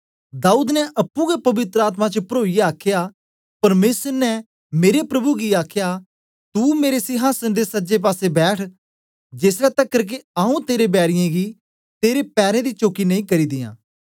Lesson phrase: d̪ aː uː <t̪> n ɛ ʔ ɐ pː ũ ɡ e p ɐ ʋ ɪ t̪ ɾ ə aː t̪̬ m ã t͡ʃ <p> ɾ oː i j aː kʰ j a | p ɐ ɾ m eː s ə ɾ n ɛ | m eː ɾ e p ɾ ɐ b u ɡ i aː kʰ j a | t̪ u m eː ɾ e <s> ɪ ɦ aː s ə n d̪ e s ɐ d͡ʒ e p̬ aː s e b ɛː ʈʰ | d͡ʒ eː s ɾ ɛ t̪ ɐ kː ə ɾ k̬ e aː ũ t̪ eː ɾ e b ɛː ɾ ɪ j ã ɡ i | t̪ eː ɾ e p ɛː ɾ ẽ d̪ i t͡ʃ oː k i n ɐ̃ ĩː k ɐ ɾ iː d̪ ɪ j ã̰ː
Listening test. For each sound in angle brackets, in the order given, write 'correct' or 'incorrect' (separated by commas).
incorrect, correct, correct